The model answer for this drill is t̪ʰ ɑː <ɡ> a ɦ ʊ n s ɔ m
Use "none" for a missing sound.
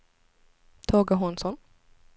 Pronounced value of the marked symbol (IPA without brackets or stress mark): ɡ